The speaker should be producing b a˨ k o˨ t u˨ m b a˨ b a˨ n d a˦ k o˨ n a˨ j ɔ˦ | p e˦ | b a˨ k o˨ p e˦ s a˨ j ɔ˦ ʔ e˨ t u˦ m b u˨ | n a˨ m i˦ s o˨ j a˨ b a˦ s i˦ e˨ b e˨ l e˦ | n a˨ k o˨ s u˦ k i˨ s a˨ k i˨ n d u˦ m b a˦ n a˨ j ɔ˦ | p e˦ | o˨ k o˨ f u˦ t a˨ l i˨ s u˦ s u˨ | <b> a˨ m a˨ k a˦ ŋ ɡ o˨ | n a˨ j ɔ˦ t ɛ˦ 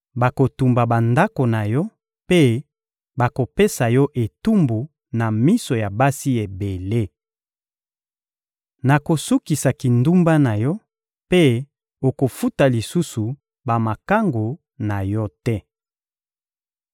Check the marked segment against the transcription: correct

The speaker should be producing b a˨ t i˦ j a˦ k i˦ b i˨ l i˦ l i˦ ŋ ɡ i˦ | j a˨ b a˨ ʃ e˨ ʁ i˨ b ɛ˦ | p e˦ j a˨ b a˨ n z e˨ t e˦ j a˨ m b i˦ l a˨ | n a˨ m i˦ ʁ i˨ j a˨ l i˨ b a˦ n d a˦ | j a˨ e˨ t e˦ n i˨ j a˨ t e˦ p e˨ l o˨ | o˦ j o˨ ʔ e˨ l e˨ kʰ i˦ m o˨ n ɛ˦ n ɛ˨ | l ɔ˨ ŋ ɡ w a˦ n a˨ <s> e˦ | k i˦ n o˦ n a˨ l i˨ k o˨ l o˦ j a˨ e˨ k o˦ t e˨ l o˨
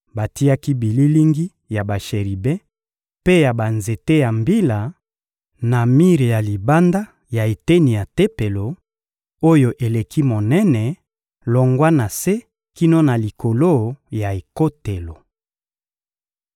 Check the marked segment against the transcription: correct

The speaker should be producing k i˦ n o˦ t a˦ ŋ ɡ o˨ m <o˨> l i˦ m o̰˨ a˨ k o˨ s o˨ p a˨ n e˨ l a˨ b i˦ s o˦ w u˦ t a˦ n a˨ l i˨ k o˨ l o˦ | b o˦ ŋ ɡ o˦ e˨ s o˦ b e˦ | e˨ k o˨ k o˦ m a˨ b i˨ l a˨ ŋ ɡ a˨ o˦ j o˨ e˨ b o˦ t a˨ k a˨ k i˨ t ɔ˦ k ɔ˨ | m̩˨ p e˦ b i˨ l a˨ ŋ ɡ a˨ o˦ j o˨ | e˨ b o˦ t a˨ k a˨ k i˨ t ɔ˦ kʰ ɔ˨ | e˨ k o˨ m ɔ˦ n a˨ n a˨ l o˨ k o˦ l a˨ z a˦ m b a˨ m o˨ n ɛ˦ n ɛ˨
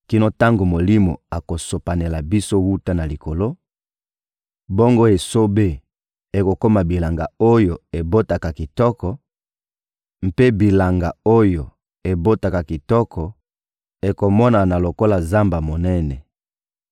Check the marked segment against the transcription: correct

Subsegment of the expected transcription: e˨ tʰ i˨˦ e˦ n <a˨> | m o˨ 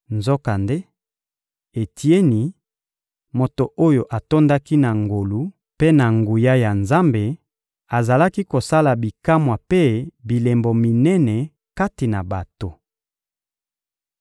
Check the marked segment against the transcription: incorrect: i˨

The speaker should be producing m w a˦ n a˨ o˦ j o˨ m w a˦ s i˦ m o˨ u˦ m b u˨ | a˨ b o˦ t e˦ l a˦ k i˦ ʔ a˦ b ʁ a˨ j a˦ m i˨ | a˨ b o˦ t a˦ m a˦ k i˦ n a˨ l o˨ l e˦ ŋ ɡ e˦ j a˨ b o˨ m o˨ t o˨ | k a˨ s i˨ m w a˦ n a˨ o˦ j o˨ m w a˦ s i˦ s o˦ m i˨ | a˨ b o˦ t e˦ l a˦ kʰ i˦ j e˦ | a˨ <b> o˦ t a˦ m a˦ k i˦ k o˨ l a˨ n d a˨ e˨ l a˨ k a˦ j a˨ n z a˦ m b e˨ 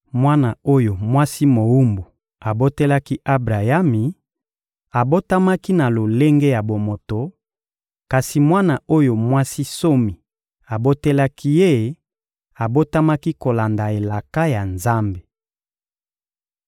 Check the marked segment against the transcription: correct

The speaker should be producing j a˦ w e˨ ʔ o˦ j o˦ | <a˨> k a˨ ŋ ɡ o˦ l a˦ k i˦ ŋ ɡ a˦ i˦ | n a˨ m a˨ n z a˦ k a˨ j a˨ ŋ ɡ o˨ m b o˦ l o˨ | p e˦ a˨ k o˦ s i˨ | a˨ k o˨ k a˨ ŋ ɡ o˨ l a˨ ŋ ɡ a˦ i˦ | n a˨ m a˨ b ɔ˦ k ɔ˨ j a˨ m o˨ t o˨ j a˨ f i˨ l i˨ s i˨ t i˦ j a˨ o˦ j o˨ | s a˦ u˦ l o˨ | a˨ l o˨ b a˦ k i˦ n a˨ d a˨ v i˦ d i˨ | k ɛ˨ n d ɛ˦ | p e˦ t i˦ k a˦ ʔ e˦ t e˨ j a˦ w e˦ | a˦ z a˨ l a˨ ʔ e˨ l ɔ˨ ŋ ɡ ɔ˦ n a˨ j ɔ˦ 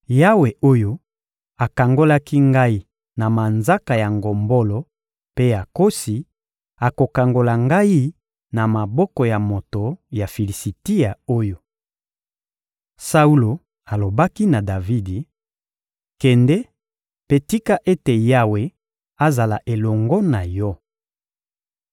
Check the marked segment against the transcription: correct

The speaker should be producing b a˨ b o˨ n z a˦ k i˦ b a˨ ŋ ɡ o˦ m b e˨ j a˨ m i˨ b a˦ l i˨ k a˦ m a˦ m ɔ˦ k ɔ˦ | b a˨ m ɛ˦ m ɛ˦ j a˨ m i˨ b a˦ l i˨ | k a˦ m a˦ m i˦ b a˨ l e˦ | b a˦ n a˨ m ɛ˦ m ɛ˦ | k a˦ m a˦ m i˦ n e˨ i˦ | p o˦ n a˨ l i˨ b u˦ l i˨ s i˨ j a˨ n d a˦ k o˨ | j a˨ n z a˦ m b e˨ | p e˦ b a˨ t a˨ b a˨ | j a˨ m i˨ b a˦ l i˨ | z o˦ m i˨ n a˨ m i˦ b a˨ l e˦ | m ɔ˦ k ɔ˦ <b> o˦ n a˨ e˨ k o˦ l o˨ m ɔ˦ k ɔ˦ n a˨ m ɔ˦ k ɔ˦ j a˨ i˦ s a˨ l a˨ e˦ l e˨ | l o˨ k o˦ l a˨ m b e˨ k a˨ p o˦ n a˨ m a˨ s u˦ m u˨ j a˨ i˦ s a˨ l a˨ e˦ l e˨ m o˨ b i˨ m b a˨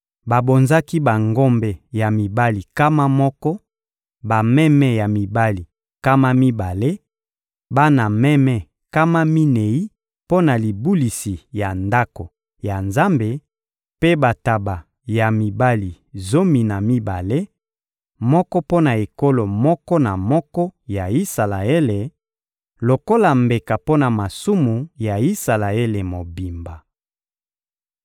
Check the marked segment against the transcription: incorrect: p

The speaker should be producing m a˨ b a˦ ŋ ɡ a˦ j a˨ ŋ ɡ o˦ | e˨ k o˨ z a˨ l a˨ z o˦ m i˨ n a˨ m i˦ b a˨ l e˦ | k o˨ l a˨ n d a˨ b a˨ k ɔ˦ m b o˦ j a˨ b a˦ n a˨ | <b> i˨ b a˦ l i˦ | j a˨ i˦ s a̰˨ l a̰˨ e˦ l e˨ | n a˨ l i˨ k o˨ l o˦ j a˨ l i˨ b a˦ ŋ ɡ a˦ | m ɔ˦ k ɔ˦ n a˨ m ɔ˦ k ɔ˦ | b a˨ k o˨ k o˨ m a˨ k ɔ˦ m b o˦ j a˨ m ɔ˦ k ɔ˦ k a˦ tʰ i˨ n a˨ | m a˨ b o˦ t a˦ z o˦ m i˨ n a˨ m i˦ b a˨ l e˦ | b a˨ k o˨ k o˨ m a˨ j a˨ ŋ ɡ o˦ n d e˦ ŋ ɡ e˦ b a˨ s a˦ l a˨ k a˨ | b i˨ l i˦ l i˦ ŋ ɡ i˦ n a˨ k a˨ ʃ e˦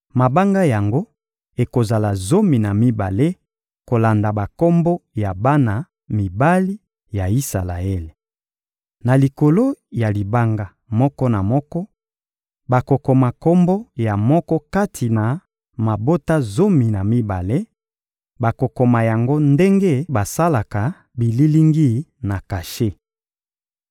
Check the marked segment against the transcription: incorrect: m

